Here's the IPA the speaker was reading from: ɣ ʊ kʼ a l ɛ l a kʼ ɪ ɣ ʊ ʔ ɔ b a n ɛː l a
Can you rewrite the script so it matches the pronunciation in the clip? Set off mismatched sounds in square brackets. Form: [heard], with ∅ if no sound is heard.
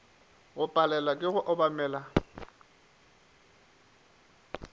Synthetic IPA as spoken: ɣ ʊ [pʼ] a l ɛ l a kʼ ɪ ɣ ʊ ʔ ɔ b a [m] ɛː l a